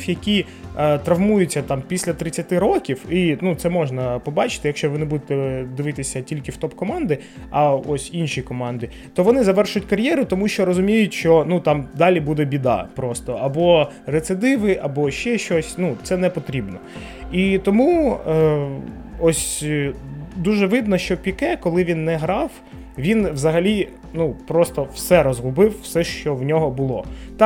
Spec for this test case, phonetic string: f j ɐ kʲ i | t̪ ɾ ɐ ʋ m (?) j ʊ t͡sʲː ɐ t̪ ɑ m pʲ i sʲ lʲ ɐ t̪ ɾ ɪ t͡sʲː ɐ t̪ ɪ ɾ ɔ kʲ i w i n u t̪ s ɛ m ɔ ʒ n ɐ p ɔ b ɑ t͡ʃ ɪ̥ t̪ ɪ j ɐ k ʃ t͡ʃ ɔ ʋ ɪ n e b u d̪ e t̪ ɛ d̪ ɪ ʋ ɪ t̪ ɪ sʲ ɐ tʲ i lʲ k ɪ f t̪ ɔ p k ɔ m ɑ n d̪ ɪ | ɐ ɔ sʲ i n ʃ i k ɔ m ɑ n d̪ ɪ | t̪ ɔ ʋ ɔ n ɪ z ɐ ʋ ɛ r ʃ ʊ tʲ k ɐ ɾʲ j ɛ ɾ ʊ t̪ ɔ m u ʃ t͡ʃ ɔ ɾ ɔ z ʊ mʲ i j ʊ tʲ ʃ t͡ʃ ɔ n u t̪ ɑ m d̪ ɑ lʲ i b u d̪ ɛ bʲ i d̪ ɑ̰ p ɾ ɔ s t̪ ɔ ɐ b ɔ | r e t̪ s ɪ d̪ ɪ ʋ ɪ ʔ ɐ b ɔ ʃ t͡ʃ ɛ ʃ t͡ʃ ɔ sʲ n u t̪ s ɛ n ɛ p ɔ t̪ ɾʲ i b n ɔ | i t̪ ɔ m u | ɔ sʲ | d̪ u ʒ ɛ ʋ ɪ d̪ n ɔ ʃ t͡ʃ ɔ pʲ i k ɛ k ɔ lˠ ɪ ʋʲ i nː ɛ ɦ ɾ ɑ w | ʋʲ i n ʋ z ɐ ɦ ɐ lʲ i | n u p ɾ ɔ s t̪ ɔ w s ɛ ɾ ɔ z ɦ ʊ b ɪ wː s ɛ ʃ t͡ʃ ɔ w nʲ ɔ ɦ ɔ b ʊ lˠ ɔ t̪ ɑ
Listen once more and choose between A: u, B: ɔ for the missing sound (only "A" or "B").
A